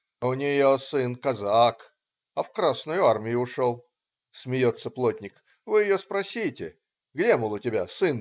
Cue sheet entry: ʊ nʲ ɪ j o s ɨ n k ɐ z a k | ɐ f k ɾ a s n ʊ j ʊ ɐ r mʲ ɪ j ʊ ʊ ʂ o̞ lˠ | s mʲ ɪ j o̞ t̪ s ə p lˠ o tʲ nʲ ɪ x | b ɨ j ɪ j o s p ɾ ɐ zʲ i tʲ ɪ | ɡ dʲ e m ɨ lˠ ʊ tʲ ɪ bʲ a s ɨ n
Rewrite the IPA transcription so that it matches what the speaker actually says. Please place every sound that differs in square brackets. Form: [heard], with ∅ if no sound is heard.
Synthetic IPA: ʊ nʲ ɪ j o s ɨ n k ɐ z a k | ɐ f k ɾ a s n ʊ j ʊ [a] r mʲ ɪ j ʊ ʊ ʂ o̞ lˠ | s mʲ ɪ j o̞ t̪ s ə p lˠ o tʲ nʲ ɪ [k] | [v] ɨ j ɪ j o s p ɾ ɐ [sʲ] i tʲ ɪ | ɡ dʲ e m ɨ lˠ ʊ tʲ ɪ bʲ a s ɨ n